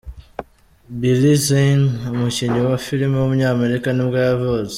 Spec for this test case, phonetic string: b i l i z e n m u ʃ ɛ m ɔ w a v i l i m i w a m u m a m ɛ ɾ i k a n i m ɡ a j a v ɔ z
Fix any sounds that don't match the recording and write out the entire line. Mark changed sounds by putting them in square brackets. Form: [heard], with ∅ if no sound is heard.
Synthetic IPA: b i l i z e n m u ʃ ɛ [ɲ] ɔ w a [f] i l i m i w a m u [ɲ] a m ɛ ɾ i k a n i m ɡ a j a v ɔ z